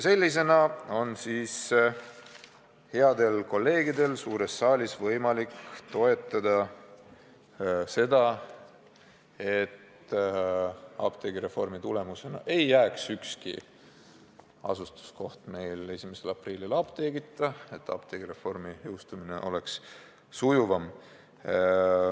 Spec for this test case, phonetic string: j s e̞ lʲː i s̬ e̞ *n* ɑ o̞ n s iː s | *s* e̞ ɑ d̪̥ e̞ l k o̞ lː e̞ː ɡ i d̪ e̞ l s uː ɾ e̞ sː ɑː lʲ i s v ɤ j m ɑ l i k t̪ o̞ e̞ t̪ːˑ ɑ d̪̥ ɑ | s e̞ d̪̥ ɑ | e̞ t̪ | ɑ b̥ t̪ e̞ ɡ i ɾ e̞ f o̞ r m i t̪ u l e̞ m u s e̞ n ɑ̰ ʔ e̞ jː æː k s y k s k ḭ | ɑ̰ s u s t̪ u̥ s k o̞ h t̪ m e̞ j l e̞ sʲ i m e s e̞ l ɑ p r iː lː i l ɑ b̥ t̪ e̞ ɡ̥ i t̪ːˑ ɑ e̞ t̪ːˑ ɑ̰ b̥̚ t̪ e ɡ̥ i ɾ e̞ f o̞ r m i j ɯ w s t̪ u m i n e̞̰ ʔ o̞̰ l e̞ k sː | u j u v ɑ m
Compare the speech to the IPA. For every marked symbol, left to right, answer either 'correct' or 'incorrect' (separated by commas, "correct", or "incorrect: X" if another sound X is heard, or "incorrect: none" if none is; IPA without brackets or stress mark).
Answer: correct, incorrect: h